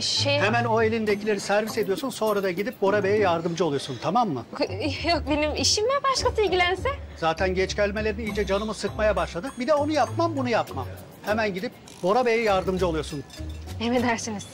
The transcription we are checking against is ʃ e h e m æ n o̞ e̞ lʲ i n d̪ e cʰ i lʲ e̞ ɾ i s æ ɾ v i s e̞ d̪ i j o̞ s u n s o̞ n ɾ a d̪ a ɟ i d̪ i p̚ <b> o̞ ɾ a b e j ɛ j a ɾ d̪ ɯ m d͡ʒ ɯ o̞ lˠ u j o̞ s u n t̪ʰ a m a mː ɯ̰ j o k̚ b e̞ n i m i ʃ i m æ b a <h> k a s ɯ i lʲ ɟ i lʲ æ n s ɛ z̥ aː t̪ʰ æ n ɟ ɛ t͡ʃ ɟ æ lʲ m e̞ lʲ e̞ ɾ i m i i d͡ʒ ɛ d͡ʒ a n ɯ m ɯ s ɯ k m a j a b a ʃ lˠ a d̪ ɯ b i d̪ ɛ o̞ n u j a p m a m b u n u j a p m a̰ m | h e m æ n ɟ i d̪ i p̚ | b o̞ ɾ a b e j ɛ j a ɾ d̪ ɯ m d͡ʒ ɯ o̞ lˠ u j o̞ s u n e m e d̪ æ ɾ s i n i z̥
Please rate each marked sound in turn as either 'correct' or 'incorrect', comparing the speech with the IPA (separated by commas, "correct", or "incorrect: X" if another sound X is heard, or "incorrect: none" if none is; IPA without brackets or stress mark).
correct, incorrect: ʃ